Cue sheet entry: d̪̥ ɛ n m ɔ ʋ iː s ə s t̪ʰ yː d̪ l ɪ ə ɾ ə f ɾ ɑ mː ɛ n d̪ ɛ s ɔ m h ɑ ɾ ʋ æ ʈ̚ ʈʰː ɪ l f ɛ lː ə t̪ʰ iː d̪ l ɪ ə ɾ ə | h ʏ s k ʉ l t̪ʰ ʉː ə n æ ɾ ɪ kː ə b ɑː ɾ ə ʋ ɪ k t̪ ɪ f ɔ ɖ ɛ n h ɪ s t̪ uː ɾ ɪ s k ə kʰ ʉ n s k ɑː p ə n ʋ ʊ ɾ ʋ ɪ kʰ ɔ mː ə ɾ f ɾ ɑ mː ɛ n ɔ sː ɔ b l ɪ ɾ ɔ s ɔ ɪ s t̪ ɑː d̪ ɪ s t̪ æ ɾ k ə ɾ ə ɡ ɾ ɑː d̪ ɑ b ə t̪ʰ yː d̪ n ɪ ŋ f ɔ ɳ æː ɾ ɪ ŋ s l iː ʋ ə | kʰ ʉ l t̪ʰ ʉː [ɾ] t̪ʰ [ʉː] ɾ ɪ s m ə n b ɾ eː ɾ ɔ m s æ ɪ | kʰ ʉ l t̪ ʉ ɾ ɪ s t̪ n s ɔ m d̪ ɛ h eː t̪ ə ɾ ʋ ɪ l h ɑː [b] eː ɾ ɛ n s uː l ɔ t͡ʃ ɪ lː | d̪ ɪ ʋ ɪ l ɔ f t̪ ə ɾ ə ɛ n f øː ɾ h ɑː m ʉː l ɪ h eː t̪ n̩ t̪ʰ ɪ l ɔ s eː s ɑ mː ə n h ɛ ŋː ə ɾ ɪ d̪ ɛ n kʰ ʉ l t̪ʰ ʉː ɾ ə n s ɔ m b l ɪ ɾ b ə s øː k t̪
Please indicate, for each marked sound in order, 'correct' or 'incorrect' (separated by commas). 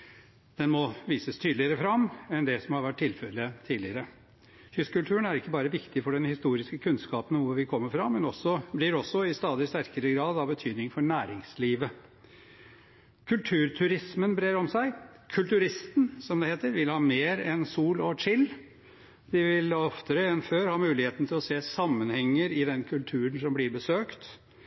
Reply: correct, incorrect, incorrect